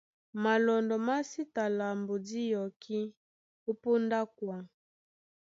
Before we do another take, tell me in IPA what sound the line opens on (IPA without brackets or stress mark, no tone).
m